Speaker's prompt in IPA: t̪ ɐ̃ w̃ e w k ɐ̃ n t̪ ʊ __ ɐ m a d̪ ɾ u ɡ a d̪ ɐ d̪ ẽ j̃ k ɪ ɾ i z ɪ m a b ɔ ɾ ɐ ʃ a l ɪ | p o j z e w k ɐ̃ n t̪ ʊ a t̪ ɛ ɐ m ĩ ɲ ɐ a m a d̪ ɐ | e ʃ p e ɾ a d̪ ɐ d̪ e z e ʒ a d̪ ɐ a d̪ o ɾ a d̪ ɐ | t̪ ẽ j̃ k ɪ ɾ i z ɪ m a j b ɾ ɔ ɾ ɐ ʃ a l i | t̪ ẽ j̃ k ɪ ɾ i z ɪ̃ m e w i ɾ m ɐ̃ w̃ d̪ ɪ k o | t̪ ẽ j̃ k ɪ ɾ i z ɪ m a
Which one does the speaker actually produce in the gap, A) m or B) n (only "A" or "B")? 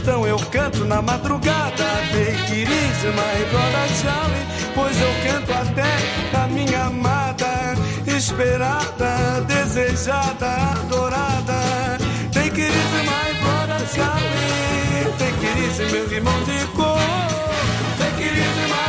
B